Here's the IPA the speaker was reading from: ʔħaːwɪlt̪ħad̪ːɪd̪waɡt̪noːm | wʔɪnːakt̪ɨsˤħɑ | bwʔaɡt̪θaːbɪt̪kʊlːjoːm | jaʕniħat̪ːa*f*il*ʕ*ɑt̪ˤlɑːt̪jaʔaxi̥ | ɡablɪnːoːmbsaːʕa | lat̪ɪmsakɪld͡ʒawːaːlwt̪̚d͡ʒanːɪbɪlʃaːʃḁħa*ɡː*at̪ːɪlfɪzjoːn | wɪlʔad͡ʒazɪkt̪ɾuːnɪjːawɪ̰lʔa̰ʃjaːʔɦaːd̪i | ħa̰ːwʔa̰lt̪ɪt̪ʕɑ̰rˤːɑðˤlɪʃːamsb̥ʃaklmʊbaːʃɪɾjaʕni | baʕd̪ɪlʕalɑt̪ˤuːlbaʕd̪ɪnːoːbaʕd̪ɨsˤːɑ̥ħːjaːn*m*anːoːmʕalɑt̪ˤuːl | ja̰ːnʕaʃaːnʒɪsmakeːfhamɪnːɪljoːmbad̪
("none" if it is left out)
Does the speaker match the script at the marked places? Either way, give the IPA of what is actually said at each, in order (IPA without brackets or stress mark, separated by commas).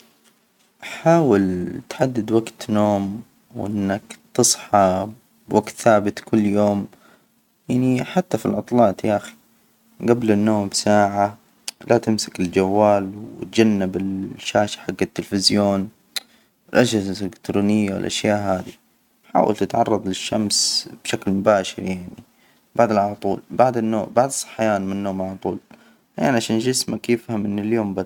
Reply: f, ʕ, ɡː, m